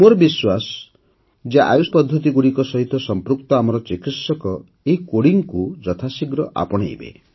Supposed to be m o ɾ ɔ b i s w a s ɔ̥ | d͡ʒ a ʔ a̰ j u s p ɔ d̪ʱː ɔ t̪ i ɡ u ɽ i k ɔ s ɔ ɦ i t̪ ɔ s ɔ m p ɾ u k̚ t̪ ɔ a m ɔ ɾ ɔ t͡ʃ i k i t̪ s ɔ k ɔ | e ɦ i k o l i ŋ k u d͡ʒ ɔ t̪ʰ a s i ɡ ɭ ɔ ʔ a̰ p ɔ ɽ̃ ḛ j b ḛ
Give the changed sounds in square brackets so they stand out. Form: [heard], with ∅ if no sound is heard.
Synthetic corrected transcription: m o ɾ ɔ b i s w a s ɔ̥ | d͡ʒ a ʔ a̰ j u s p ɔ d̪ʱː ɔ t̪ i ɡ u ɽ i k ɔ s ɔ ɦ i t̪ ɔ s ɔ m p ɾ u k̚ t̪ ɔ a m ɔ ɾ ɔ t͡ʃ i k i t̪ s ɔ k ɔ | e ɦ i k o [ɽ] i ŋ k u d͡ʒ ɔ t̪ʰ a s i ɡ [ɾ] ɔ ʔ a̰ p ɔ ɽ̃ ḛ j b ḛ

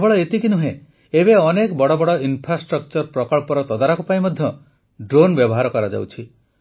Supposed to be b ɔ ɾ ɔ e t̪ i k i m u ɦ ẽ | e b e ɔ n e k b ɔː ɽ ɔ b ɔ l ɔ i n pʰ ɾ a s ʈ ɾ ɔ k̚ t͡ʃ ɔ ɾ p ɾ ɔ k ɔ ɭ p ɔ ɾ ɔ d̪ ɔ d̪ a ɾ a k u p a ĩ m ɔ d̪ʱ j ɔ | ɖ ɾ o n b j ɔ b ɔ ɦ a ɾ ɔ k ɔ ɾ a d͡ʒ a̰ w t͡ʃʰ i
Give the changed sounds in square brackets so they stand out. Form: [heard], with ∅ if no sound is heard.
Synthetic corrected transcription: b ɔ [ɭ] ɔ e t̪ i k i [n] u ɦ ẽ | e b e ɔ n e k b [ɔ] ɽ ɔ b ɔ [ɽ] ɔ i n pʰ ɾ a s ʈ ɾ ɔ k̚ t͡ʃ ɔ ɾ p ɾ ɔ k ɔ ɭ p ɔ ɾ ɔ [t̪] ɔ d̪ a ɾ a k u p a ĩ m ɔ d̪ʱ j ɔ | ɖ ɾ o n b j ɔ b ɔ ɦ a ɾ ɔ k ɔ ɾ a d͡ʒ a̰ w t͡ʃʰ i

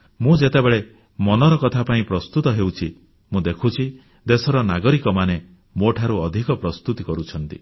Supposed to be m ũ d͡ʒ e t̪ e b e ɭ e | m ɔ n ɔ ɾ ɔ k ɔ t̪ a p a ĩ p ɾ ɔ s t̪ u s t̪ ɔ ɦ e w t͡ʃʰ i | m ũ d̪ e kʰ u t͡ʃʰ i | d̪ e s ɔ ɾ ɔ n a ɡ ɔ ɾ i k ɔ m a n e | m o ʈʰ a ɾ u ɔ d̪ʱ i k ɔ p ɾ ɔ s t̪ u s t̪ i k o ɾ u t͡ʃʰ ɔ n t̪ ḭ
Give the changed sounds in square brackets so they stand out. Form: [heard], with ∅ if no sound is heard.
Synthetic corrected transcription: m ũ d͡ʒ e t̪ e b e ɭ e | m ɔ n ɔ ɾ ɔ k ɔ [t̪ʰ] a p a ĩ p ɾ ɔ s t̪ u [∅] t̪ ɔ ɦ e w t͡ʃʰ i | m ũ d̪ e kʰ u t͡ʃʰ i | d̪ e s ɔ ɾ ɔ n a ɡ ɔ ɾ i k ɔ m a n e | m o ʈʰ a ɾ u ɔ d̪ʱ i k ɔ p ɾ ɔ s t̪ u [∅] t̪ i k [ɔ] ɾ u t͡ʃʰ ɔ n t̪ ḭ

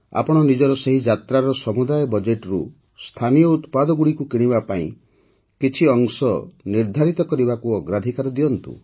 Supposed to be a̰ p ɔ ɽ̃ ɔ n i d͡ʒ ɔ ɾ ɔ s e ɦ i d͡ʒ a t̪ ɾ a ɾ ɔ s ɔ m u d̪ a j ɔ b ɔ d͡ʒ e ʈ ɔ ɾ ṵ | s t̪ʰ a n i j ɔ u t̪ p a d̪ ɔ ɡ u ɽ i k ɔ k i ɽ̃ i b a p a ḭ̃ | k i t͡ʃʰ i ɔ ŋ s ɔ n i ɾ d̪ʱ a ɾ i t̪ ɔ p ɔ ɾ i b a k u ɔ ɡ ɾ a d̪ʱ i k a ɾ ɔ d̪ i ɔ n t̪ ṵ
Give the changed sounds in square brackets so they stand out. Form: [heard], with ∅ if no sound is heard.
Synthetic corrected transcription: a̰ p ɔ ɽ̃ ɔ n i d͡ʒ ɔ ɾ ɔ s e ɦ i d͡ʒ a t̪ ɾ a ɾ ɔ s ɔ m u d̪ a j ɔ b ɔ d͡ʒ e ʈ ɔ ɾ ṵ | s t̪ʰ a n i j ɔ u t̪ p a d̪ ɔ ɡ u ɽ i k [u] k i ɽ̃ i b a p a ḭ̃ | k i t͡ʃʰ i ɔ ŋ s ɔ n i ɾ d̪ʱ a ɾ i t̪ ɔ [k] ɔ ɾ i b a k u ɔ ɡ ɾ a d̪ʱ i k a ɾ ɔ d̪ i ɔ n t̪ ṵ

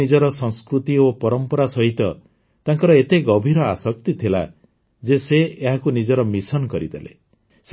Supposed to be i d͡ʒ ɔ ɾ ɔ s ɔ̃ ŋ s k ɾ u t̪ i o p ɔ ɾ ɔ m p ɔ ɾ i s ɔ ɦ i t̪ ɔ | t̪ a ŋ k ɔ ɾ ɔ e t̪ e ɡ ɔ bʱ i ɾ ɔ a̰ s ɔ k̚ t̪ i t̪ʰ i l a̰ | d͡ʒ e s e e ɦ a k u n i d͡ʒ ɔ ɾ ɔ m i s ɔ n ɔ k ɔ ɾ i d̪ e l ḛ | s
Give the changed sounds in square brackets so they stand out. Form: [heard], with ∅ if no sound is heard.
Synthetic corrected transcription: i d͡ʒ ɔ ɾ ɔ s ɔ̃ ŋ s k ɾ u t̪ i o p ɔ ɾ ɔ m p ɔ ɾ [a] s ɔ ɦ i t̪ ɔ | t̪ a ŋ k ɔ ɾ ɔ e t̪ e ɡ ɔ bʱ i ɾ ɔ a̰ s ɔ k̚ t̪ i t̪ʰ i l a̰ | d͡ʒ e s e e ɦ a k u n i d͡ʒ ɔ ɾ ɔ m i s ɔ n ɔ k ɔ ɾ i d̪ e l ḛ | s

